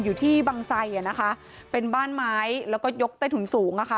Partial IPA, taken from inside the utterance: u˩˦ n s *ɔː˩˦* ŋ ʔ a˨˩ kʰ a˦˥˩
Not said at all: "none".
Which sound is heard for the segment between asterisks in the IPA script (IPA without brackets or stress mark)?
uː˩˦